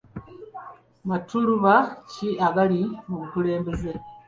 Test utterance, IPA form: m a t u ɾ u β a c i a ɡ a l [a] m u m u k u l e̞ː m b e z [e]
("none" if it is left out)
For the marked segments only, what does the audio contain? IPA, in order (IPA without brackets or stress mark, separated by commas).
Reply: i, e